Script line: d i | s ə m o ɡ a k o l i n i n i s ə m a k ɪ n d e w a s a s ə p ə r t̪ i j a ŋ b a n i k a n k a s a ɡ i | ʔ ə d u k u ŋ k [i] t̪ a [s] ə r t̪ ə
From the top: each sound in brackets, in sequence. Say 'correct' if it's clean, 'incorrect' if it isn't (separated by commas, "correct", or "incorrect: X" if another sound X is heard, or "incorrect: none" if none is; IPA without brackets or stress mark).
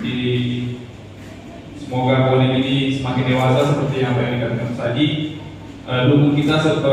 correct, correct